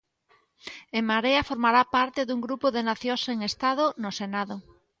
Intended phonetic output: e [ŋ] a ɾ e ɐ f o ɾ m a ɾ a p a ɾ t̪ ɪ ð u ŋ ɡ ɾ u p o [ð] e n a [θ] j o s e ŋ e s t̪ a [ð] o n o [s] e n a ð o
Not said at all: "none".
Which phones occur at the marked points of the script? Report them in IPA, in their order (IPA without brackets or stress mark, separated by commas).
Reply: m, ð, θ, ð, s